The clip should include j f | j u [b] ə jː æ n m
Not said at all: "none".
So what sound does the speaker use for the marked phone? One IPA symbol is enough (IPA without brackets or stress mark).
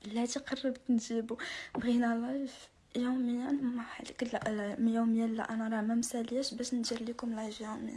m